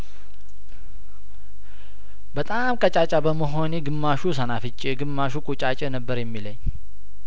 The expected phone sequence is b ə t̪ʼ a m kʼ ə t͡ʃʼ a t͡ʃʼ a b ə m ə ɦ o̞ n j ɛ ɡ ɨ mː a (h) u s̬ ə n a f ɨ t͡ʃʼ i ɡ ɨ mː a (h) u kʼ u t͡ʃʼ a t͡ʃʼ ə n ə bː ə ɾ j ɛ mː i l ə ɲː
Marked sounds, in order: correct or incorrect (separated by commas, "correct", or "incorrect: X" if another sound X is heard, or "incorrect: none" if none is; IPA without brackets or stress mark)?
incorrect: ʃ, incorrect: ʃ